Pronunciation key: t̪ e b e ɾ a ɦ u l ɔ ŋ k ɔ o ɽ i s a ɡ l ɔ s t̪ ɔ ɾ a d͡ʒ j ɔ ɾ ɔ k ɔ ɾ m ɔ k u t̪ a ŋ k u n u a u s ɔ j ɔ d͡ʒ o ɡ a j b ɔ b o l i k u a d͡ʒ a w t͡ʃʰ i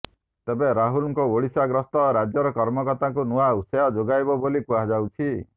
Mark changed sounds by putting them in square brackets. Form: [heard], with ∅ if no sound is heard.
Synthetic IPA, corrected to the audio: t̪ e b e ɾ a ɦ u l ɔ ŋ k ɔ o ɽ i s a ɡ [ɾ] ɔ s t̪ ɔ ɾ a d͡ʒ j ɔ ɾ ɔ k ɔ ɾ m ɔ k [ɔ] t̪ a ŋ k u n u a u s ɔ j ɔ d͡ʒ o ɡ a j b ɔ b o l i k u a d͡ʒ a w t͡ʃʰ i